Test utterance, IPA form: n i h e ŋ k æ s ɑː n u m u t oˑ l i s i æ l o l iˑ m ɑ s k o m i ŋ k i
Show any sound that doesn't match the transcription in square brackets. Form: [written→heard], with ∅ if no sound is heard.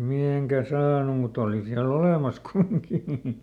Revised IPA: [n→m] i h e ŋ k æ s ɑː n u m u t oˑ l i s i æ l o l [iˑ→eˑ] m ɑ s k [o→u] m i ŋ k i

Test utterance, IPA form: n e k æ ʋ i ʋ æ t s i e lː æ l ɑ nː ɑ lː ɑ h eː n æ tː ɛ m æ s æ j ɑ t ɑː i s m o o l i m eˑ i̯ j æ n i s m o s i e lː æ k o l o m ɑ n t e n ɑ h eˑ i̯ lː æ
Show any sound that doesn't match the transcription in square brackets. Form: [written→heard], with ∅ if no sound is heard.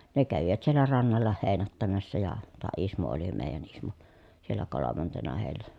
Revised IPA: n e k æ ʋ i ʋ æ t s i e lː æ [l→r] ɑ nː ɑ lː ɑ h eː n æ tː [ɛ→æ] m æ [s→sː] æ j ɑ t ɑː i s m o o l i m eˑ i̯ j æ n i s m o s i e lː æ k o l o m ɑ n t e n ɑ h eˑ i̯ lː æ

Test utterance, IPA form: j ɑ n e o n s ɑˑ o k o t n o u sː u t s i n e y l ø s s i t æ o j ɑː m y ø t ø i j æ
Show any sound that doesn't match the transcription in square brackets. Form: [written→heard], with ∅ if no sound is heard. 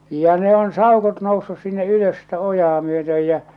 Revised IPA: j ɑ n e o n s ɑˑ o k o t n o u sː u [t→s] s i [n→nː] e y l ø s s i t æ o j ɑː m y ø t ø [i→j] j æ

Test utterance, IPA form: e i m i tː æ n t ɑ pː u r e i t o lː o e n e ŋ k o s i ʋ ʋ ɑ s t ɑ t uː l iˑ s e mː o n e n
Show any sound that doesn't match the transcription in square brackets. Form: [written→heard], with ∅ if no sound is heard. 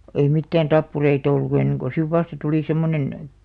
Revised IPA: e i m i tː [æ→æː] n t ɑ pː u r e i t o lː [o→u] e [n→nː] e ŋ k o s i ʋ ʋ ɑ s t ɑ t [uː→u] l iˑ s e mː o n e n

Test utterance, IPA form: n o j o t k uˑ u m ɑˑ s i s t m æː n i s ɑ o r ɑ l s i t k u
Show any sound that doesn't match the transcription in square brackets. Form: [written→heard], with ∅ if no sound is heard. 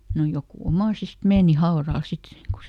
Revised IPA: n o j o [t→∅] k uˑ [u→o] m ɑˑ s i s t m [æː→eː] n i [s→h] ɑ o r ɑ l s i t k u

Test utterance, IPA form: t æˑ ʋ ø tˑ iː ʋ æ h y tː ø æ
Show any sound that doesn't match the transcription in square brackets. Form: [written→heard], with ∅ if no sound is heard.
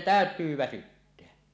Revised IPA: t æˑ [ʋ→∅] ø tˑ [iː→yː] ʋ æ [h→s] y tː [ø→e] æ

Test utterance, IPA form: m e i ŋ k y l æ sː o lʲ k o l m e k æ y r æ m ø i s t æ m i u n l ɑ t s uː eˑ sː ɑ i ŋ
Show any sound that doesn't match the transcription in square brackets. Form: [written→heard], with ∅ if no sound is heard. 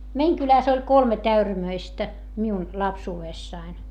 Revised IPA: m e i ŋ k y l æ [sː→s] o lʲ k o l m e [k→t] æ y r æ m ø i s t æ m i u n l ɑ [t→p] s uː eˑ sː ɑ i [ŋ→n]

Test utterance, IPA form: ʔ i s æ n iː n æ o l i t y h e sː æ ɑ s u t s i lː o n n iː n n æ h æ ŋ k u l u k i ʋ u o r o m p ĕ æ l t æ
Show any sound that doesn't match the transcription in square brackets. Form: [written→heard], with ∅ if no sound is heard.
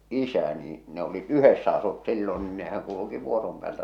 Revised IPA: ʔ i s æ n iː n [æ→e] o l i t y h e sː æ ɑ s u t s i lː o n n iː n n [æ→e] h æ ŋ k u l u k i ʋ u o r o m p ĕ [æ→æː] l t æ

